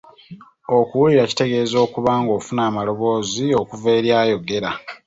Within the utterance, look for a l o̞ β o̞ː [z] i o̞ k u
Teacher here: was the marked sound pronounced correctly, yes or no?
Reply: yes